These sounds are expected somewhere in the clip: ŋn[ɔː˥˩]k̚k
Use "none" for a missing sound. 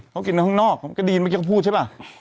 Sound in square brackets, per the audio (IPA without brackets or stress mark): ɔː˥˩